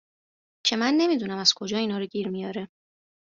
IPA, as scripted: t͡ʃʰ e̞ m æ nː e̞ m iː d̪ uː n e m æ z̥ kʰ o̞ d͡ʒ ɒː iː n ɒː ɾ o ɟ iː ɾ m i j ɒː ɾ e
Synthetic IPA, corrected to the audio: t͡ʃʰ e̞ m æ nː e̞ m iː d̪ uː n æ m æ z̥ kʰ o̞ d͡ʒ ɒː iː n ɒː ɾ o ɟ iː ɾ m i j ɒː ɾ e